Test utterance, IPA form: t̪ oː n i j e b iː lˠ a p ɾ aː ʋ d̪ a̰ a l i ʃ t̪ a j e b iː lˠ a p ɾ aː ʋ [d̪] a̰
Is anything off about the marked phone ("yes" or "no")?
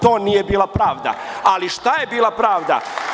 no